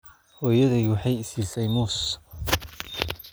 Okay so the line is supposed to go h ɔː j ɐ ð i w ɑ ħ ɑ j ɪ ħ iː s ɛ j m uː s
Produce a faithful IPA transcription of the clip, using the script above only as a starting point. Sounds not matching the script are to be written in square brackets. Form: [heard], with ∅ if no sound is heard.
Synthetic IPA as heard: h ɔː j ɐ ð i w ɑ ħ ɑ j ɪ [s] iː s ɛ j m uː s

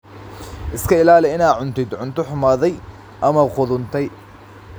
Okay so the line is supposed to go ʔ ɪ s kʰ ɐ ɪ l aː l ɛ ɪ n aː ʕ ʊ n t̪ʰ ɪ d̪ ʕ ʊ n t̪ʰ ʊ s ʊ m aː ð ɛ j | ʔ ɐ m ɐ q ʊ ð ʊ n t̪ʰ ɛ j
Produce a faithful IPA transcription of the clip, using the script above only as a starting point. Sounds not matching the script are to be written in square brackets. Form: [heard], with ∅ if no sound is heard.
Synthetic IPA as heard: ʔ ɪ s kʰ ɐ ɪ l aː l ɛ ɪ n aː ʕ ʊ n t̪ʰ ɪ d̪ ʕ ʊ n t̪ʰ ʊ [ħ] ʊ m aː ð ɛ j | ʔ ɐ m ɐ q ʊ ð ʊ n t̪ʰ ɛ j

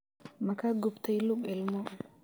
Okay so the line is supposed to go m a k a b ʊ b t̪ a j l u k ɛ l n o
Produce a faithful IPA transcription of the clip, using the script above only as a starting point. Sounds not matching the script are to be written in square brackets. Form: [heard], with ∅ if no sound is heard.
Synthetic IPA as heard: m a k a [ɡ] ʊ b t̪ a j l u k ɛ l [m] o

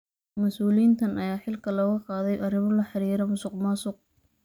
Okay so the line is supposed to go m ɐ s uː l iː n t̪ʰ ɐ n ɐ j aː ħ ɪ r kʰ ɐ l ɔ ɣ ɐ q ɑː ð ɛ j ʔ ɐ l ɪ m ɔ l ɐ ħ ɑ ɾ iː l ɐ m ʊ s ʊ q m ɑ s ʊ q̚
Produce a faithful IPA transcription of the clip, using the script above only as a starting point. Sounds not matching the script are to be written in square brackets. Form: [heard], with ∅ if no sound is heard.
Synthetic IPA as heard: m ɐ s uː l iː n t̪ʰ ɐ n ɐ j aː ħ ɪ [l] kʰ ɐ l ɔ ɣ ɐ q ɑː ð ɛ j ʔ ɐ [r] ɪ m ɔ l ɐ ħ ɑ ɾ iː [ɾ] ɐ m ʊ s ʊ q m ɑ s ʊ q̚

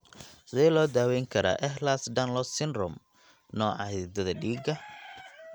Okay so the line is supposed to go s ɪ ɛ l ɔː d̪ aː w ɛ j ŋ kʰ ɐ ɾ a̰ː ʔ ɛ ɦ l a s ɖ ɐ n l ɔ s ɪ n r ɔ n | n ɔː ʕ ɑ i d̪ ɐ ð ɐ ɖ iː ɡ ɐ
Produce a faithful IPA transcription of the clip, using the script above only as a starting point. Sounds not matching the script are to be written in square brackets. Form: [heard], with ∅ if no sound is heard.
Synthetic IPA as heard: s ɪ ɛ l ɔː d̪ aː w ɛ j ŋ kʰ ɐ ɾ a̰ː ʔ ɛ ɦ l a s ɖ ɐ n l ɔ s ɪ n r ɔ [m] | n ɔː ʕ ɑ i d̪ ɐ ð ɐ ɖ iː ɡ ɐ

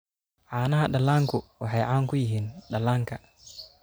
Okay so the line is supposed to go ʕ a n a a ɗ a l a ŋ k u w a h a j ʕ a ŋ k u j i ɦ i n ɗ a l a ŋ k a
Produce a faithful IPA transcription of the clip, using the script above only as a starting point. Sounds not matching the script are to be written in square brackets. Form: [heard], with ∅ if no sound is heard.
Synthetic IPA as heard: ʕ a n a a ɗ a l a ŋ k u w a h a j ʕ a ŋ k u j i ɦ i n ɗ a l a ŋ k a

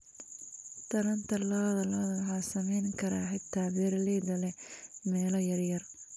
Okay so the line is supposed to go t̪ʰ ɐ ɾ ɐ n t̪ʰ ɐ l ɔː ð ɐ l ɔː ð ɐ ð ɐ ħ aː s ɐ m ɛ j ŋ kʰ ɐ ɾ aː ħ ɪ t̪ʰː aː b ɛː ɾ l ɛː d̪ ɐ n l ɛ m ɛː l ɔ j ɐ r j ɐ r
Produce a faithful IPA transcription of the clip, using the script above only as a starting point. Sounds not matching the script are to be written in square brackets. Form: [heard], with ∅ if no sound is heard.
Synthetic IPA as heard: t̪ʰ ɐ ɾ ɐ n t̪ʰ ɐ l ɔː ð ɐ l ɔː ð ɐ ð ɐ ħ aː s ɐ m ɛ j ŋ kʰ ɐ ɾ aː ħ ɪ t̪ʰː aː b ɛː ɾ l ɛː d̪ ɐ [∅] l ɛ m ɛː l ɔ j ɐ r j ɐ r

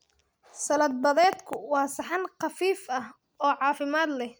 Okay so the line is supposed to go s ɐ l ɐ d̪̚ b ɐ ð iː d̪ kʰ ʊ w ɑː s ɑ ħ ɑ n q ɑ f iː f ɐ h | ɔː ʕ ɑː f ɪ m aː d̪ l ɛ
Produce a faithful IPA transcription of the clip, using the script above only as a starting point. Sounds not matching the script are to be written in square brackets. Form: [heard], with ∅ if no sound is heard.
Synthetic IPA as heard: s ɐ l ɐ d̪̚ b ɐ ð [ɛː] d̪ kʰ ʊ w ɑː s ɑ ħ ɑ n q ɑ f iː f ɐ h | ɔː ʕ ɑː f ɪ m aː d̪ l ɛ

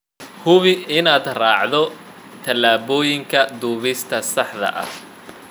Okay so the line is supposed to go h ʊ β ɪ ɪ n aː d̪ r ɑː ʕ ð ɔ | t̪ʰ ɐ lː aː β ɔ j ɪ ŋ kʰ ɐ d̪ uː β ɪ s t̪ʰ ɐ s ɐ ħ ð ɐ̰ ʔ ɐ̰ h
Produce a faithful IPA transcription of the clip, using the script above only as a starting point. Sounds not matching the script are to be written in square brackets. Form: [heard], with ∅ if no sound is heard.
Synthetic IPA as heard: h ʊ β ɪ ɪ n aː d̪ r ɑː ʕ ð ɔ | t̪ʰ ɐ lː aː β [ɔː] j ɪ ŋ kʰ ɐ d̪ uː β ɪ s t̪ʰ ɐ s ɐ ħ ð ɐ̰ ʔ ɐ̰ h

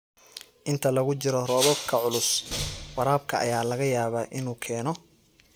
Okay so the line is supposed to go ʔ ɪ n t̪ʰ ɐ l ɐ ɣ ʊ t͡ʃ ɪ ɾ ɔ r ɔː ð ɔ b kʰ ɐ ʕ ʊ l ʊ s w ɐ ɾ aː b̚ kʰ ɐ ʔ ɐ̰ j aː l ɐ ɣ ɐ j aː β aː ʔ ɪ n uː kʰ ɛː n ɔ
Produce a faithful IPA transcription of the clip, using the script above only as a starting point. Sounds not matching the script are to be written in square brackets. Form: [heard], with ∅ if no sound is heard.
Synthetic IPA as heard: ʔ ɪ n t̪ʰ ɐ l ɐ ɣ ʊ t͡ʃ ɪ ɾ ɔ r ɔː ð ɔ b kʰ ɐ ʕ ʊ l ʊ s w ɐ ɾ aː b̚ kʰ ɐ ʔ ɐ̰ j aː l ɐ ɣ ɐ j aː β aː ʔ ɪ n uː kʰ ɛː n ɔ

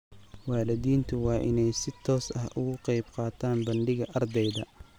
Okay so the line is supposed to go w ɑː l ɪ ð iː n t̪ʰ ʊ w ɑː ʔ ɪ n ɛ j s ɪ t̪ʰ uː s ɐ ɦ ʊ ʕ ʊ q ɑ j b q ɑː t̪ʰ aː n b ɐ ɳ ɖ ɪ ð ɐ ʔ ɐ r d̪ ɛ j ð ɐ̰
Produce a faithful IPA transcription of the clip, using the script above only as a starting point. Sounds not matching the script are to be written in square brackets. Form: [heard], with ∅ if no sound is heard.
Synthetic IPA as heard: w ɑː l ɪ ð iː n t̪ʰ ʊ w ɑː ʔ ɪ n ɛ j s ɪ t̪ʰ [ɔː] s ɐ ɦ ʊ [ɣ] ʊ q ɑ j b q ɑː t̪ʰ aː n b ɐ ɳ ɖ ɪ [ɣ] ɐ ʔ ɐ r d̪ ɛ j ð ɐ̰

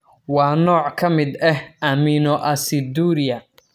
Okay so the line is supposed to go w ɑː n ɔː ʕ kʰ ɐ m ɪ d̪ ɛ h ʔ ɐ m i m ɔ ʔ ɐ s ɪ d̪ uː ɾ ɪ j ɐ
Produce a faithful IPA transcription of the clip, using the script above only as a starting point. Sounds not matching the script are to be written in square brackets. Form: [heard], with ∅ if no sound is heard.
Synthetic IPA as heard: w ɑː n ɔː ʕ kʰ ɐ m ɪ d̪ ɛ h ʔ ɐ m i [n] ɔ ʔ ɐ s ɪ d̪ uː ɾ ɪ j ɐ

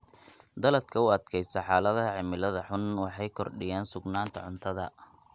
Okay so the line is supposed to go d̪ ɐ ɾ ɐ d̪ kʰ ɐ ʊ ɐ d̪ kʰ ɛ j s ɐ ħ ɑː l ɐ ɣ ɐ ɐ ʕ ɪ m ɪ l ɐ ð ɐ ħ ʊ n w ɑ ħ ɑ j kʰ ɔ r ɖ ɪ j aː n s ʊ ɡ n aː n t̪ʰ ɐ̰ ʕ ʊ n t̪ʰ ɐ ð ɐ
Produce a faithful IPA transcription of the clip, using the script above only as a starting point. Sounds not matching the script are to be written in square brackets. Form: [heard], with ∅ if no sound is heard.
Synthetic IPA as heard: d̪ ɐ [l] ɐ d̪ kʰ ɐ ʊ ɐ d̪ kʰ ɛ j s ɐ ħ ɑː l ɐ [ð] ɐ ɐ ʕ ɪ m ɪ l ɐ ð ɐ ħ ʊ n w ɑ ħ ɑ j kʰ ɔ r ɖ ɪ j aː n s ʊ ɡ n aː n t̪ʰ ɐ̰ ʕ ʊ n t̪ʰ ɐ ð ɐ

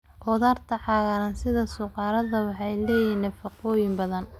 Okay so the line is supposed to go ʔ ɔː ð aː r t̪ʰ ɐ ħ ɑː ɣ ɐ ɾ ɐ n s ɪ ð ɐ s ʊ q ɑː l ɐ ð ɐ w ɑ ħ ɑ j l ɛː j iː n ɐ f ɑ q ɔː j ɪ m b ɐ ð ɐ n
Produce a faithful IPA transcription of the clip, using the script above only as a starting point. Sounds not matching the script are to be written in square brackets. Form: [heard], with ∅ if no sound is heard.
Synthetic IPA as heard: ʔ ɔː ð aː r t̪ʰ ɐ ħ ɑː ɣ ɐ ɾ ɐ n s ɪ ð ɐ s ʊ q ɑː [ɾ] ɐ ð ɐ w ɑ ħ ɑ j l ɛː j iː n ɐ f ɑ q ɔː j ɪ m b ɐ ð ɐ n

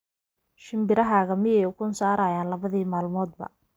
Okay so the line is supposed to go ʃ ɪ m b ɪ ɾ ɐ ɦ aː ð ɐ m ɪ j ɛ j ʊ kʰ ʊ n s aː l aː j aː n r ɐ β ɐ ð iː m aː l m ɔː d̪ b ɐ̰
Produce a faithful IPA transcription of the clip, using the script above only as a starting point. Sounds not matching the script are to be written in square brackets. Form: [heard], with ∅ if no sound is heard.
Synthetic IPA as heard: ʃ ɪ m b ɪ ɾ ɐ ɦ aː [ɣ] ɐ m ɪ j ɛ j ʊ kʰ ʊ n s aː [ɾ] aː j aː n [l] ɐ β ɐ ð iː m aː l m ɔː d̪ b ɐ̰

